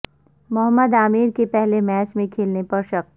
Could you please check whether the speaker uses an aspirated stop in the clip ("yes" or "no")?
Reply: yes